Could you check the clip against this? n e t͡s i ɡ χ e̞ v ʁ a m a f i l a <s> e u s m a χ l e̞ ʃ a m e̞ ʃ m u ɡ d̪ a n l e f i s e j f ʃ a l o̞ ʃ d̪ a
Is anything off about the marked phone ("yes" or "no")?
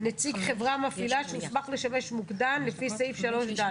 yes